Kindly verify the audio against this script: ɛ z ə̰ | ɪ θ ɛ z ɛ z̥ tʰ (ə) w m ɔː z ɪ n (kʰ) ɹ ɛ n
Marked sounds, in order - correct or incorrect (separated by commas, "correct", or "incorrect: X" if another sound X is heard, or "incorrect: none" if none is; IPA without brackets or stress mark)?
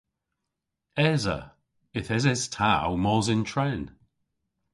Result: incorrect: a, incorrect: tʰ